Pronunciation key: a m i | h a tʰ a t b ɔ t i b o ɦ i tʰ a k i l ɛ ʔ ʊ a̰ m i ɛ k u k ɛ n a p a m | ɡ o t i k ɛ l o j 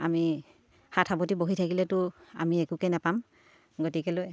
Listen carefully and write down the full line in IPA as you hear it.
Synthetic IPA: a m i | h a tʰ a b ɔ t i b o ɦ i tʰ a k i l ɛ t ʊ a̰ m i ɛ k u k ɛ n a p a m | ɡ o t i k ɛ l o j